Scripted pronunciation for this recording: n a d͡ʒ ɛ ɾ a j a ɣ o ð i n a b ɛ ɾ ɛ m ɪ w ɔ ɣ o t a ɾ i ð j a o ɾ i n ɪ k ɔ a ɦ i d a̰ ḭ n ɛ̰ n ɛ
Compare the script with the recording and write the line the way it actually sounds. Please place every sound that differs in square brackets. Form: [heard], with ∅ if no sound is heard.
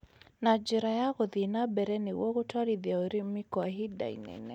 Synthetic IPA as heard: n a d͡ʒ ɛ ɾ a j a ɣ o ð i n a b ɛ ɾ ɛ [n] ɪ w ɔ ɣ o t a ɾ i ð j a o ɾ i [m] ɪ k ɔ a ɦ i d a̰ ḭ n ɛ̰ n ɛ

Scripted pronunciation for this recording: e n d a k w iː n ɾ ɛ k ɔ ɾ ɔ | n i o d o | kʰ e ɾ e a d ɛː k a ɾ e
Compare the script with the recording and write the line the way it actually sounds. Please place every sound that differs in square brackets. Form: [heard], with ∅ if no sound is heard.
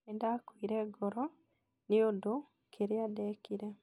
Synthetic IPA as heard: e n d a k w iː [∅] ɾ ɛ [ɡ] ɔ ɾ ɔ | n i o d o | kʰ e ɾ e a d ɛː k [i] ɾ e

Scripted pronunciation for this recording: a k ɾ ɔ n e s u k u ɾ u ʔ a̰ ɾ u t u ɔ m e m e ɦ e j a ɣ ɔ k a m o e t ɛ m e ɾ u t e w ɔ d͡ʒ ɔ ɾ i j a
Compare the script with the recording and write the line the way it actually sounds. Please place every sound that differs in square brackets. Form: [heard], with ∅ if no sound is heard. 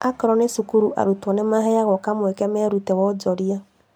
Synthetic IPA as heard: a k ɾ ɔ n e s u k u ɾ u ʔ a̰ ɾ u t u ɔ [n] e m [a] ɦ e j a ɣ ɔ k a m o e [k] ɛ m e ɾ u t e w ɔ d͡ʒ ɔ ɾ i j a

